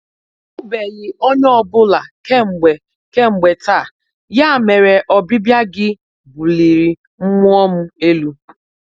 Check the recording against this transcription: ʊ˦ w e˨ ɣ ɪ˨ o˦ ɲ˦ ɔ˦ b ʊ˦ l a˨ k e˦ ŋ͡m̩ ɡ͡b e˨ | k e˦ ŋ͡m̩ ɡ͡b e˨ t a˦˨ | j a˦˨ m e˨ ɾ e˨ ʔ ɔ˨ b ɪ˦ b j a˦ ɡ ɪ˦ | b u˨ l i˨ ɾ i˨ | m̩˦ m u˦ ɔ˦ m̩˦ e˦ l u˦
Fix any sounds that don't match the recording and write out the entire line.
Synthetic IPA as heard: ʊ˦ b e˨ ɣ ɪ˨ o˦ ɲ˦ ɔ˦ b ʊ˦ l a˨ k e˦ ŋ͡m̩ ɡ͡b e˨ | k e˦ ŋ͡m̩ ɡ͡b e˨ t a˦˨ | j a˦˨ m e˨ ɾ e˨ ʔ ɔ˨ b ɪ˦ b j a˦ ɡ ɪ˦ | b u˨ l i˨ ɾ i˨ | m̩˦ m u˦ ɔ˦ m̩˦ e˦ l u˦